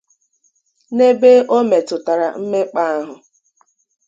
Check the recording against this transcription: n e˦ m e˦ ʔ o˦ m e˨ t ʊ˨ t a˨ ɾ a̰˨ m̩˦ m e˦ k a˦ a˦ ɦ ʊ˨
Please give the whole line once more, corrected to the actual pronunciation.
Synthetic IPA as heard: n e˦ b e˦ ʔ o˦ m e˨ t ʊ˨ t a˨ ɾ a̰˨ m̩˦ m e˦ k͡p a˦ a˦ ɦ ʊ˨